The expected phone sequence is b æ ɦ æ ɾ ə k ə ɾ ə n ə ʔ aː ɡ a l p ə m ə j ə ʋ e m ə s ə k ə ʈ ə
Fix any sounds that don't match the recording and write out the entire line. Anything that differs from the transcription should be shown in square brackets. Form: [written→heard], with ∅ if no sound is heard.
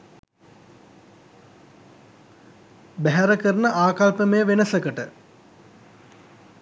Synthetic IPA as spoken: b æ ɦ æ ɾ ə k ə ɾ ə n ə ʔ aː [ɡ→k] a l p ə m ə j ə ʋ e [m→n] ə s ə k ə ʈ ə